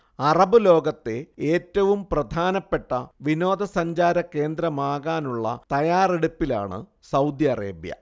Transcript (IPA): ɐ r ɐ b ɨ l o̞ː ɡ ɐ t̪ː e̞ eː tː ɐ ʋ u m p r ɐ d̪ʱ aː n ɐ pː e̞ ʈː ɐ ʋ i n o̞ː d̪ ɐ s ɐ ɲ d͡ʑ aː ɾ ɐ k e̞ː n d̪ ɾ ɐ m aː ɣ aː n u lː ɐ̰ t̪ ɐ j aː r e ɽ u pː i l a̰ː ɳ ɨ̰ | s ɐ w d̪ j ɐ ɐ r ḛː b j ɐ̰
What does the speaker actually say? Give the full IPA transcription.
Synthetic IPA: ɐ r ɐ b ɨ l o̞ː ɡ ɐ t̪ː e̞ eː tː ɐ ʋ u m p r ɐ d̪ʱ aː n ɐ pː e̞ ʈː ɐ ʋ i n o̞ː d̪ ɐ s ɐ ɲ d͡ʑ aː ɾ ɐ k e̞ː n d̪ ɾ ɐ m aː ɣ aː n u ɭː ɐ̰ t̪ ɐ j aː r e ɽ u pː i l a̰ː ɳ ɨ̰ | s ɐ w d̪ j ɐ ɐ r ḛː b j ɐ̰

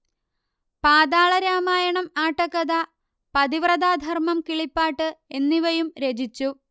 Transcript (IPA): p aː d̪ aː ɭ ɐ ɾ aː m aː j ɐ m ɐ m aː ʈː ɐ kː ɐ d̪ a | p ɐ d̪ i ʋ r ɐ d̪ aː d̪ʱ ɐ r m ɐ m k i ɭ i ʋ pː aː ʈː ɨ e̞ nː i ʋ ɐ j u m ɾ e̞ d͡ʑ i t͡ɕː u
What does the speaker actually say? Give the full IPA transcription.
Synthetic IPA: p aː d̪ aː ɭ ɐ ɾ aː m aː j ɐ ɳ ɐ m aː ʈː ɐ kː ɐ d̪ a | p ɐ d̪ i ʋ r ɐ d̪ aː d̪ʱ ɐ r m ɐ m k i ɭ i pː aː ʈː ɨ e̞ nː i ʋ ɐ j u m ɾ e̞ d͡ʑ i t͡ɕː u

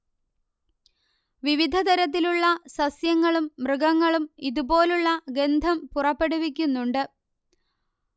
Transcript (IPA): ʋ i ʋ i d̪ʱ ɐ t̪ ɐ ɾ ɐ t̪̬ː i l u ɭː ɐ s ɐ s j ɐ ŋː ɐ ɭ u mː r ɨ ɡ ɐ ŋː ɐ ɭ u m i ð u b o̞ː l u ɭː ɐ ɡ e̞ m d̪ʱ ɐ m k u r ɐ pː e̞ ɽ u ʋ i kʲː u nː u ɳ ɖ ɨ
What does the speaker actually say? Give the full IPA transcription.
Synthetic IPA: ʋ i ʋ i d̪ʱ ɐ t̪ ɐ ɾ ɐ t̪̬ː i l u ɭː ɐ s ɐ s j ɐ ŋː ɐ ɭ u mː r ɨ ɡ ɐ ŋː ɐ ɭ u m i ð u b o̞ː l u ɭː ɐ ɡ e̞ n d̪ʱ ɐ m p u r ɐ pː e̞ ɽ u ʋ i kʲː u nː u ɳ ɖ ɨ

